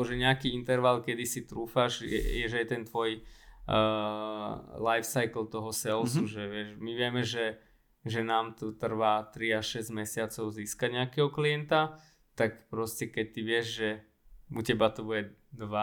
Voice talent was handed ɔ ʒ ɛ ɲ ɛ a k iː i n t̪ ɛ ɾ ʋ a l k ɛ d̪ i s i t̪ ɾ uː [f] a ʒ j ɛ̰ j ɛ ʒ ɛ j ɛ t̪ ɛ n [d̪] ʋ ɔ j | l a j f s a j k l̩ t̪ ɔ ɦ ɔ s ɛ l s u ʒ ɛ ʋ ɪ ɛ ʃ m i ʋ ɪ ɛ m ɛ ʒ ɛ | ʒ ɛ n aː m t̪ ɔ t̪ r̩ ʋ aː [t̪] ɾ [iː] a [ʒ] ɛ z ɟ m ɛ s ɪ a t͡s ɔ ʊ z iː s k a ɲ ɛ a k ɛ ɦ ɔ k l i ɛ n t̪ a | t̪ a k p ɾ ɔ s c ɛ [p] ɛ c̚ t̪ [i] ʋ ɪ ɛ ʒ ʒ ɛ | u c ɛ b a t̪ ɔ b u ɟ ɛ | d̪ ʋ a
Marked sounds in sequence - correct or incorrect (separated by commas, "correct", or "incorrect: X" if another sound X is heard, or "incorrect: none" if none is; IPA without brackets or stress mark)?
correct, incorrect: t̪, correct, incorrect: i, incorrect: ʃ, incorrect: k, correct